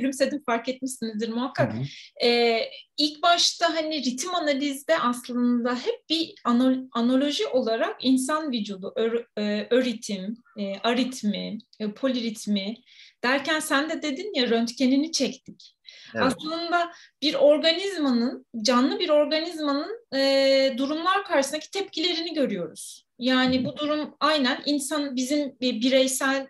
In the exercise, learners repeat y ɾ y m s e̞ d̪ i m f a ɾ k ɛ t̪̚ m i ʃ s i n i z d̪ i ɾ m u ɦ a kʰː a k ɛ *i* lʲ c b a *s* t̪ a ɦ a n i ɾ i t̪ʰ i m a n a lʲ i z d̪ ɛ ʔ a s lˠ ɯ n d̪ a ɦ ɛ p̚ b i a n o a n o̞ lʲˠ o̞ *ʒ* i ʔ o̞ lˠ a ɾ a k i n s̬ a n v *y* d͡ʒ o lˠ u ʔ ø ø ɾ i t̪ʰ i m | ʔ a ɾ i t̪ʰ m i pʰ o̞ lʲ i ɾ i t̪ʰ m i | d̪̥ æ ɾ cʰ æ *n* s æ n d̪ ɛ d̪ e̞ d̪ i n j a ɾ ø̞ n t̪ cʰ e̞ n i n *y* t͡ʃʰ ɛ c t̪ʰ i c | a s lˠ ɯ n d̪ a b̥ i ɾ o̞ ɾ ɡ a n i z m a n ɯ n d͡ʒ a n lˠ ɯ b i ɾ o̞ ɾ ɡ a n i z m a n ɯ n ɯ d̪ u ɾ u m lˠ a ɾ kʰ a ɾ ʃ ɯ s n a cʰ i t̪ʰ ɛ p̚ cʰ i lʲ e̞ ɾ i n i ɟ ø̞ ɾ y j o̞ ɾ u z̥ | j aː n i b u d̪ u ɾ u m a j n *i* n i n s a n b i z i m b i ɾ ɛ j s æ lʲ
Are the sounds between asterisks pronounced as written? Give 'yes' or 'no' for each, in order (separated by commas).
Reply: yes, no, yes, no, yes, no, no